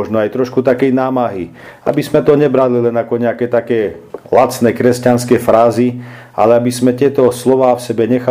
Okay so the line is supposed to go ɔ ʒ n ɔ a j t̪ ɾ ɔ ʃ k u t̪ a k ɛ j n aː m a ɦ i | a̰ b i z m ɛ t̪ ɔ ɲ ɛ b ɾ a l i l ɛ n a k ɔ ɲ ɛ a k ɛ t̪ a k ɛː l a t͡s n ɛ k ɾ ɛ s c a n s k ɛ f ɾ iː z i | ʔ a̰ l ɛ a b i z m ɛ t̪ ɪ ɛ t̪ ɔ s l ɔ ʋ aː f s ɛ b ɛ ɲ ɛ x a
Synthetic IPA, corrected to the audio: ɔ ʒ n ɔ a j t̪ ɾ ɔ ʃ k u t̪ a k ɛ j n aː m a ɦ i | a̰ b i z m ɛ t̪ ɔ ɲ ɛ b ɾ a l i l ɛ n a k ɔ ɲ ɛ a k ɛ t̪ a k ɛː l a t͡s n ɛ k ɾ ɛ s c a n s k ɛ f ɾ aː z i | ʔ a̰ l ɛ a b i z m ɛ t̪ ɪ ɛ t̪ ɔ s l ɔ ʋ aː f s ɛ b ɛ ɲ ɛ x a